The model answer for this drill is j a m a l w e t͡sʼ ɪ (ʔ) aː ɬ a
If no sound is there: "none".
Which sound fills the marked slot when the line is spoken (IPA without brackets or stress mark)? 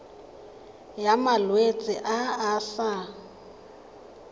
ʔ